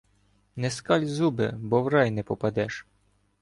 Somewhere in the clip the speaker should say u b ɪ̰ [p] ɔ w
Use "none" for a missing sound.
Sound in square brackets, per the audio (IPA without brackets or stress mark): b